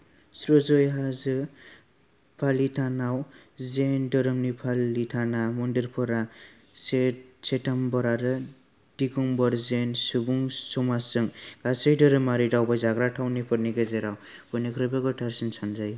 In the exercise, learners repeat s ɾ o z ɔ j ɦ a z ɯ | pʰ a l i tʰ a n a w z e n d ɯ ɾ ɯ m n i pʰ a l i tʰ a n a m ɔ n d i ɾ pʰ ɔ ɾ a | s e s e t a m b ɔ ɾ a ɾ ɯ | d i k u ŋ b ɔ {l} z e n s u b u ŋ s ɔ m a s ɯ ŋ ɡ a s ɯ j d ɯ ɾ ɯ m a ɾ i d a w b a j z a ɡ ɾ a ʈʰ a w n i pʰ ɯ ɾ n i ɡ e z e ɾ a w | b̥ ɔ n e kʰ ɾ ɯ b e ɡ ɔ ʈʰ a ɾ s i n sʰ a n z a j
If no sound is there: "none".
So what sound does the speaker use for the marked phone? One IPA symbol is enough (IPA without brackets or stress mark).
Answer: ɾ